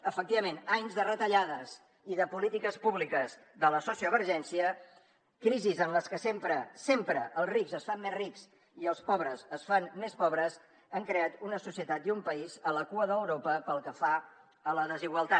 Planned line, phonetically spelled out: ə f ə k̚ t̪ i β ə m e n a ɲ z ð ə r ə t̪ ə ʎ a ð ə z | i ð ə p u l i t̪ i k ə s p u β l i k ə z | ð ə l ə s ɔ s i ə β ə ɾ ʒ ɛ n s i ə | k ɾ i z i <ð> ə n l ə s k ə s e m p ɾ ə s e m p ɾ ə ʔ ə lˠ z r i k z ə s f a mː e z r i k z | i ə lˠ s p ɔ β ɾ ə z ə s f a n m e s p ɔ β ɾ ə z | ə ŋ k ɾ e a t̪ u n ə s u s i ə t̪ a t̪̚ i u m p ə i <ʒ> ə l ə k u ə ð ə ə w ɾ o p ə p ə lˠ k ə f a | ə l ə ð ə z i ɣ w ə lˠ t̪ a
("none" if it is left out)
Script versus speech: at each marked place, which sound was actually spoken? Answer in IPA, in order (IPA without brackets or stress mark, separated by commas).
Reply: z, z